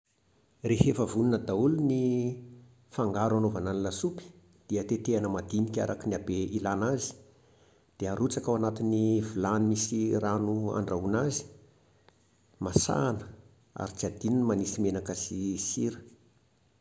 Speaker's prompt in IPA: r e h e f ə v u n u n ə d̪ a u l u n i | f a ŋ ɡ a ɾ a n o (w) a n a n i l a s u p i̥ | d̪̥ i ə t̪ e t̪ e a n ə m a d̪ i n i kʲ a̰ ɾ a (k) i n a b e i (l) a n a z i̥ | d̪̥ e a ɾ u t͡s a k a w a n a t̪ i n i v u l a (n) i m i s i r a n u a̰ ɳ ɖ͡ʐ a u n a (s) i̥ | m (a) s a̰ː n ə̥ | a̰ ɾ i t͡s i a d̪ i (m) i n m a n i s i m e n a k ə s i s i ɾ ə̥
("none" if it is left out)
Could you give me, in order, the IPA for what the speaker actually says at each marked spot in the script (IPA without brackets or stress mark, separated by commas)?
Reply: v, k, l, n, z, a, n